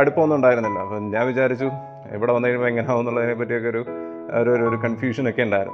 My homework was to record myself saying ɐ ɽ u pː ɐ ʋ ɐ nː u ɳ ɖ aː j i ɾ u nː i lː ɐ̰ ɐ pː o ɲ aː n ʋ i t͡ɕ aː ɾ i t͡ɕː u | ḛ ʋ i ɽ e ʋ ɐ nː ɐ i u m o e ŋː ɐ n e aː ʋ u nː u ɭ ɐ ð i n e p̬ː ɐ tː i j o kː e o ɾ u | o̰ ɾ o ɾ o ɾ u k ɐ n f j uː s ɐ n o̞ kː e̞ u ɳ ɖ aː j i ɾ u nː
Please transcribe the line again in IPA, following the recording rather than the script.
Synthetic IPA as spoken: ɐ ɽ u pː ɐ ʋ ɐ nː u ɳ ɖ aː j i ɾ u nː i lː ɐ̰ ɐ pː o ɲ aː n ʋ i t͡ɕ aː ɾ i t͡ɕː u | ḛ ʋ i ɽ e ʋ ɐ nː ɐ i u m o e ŋː ɐ n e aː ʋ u nː u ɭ ɐ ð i n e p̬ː ɐ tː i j o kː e o ɾ u | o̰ ɾ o ɾ o ɾ u k ɐ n f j uː ʂ ɐ n o̞ kː e̞ u ɳ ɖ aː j i ɾ u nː